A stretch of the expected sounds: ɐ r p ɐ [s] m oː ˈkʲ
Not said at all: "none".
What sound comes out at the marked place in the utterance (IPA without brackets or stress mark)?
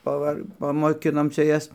none